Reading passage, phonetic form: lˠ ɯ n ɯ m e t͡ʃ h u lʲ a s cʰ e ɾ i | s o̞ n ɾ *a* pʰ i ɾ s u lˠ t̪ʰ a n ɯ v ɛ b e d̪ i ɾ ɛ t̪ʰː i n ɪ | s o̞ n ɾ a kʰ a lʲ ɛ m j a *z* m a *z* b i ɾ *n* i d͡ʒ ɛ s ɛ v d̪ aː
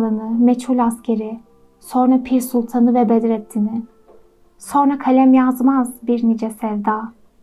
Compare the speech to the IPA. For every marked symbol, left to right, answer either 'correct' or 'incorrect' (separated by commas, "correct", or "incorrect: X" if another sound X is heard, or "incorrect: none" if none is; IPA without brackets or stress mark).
correct, correct, correct, correct